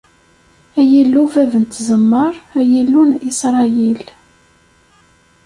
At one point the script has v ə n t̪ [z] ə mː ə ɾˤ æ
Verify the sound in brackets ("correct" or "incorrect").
correct